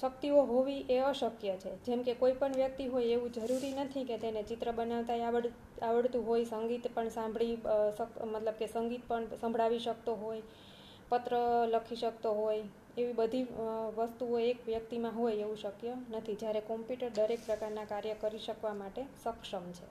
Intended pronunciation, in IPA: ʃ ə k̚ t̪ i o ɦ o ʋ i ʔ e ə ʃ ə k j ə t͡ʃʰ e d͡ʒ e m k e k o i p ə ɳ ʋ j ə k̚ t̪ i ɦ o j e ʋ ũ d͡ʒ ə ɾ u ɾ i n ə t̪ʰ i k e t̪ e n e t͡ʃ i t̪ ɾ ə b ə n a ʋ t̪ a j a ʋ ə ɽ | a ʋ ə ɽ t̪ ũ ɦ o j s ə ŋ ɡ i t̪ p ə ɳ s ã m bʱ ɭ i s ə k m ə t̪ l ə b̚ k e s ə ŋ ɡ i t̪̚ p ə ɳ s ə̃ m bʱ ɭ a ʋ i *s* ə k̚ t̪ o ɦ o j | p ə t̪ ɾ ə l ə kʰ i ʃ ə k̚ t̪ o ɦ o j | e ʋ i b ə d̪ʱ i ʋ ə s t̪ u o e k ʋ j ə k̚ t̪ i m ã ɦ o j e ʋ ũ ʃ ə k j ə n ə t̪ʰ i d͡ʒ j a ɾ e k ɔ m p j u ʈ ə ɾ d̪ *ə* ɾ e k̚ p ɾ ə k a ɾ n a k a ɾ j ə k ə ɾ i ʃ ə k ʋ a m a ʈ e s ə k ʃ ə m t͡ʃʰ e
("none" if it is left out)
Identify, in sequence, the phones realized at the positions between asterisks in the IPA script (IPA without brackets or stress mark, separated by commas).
ʃ, ə